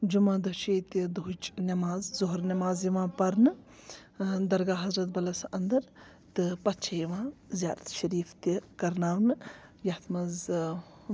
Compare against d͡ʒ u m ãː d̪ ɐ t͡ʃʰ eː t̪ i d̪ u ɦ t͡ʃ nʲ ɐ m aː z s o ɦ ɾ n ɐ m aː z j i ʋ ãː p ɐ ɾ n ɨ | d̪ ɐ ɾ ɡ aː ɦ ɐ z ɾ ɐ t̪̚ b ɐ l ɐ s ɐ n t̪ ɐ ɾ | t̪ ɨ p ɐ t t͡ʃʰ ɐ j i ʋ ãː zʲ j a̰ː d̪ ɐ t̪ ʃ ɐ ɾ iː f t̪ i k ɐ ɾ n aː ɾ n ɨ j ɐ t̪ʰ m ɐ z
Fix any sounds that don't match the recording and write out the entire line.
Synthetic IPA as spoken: d͡ʒ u m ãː d̪ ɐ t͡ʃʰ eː t̪ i d̪ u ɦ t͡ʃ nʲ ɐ m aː z z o ɦ ɾ n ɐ m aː z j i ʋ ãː p ɐ ɾ n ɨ | d̪ ɐ ɾ ɡ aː ɦ ɐ z ɾ ɐ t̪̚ b ɐ l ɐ s ɐ n d̪ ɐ ɾ | t̪ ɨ p ɐ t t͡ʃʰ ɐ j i ʋ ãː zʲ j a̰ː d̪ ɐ t̪ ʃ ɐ ɾ iː f t̪ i k ɐ ɾ n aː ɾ n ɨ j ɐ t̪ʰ m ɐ z